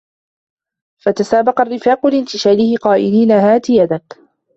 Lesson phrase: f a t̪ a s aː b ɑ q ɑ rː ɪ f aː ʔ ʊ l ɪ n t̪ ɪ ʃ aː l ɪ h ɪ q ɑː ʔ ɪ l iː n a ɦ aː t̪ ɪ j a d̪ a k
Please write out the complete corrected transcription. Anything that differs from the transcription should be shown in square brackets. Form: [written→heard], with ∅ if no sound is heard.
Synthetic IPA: f a t̪ a s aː b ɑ q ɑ rː ɪ f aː [ʔ→q] ʊ l ɪ n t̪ ɪ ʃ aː l ɪ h ɪ q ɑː ʔ ɪ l iː n a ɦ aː t̪ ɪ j a d̪ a k